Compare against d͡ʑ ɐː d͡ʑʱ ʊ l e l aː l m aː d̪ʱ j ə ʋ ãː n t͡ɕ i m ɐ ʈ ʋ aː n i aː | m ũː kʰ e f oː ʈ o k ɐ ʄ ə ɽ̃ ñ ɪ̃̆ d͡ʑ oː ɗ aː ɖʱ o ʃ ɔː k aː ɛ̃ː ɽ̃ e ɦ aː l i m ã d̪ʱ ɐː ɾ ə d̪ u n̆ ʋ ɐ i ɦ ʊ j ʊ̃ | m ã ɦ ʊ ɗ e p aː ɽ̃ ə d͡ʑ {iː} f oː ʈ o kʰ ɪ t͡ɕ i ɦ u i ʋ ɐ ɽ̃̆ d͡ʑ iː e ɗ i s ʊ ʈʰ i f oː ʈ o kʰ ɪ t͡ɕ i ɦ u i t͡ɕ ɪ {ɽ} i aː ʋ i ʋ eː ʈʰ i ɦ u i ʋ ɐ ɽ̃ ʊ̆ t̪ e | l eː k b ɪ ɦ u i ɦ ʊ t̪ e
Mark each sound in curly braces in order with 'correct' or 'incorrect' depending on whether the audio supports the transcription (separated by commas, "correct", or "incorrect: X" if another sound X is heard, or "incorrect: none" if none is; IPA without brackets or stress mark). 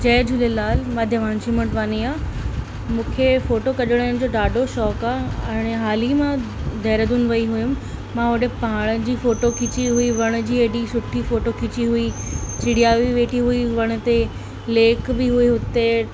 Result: correct, correct